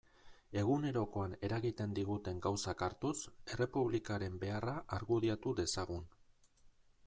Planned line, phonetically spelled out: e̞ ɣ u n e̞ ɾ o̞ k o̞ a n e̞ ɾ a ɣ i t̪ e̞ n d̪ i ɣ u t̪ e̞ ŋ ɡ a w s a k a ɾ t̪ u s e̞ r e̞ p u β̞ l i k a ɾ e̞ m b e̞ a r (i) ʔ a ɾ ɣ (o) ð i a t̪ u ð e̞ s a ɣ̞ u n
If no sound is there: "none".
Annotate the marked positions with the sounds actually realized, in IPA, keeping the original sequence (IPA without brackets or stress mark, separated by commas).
a, u